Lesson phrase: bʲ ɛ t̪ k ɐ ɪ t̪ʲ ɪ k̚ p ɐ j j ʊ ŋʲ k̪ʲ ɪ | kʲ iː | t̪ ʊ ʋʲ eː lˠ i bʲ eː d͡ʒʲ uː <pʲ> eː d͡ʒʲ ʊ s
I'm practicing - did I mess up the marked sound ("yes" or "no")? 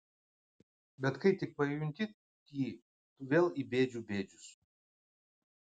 yes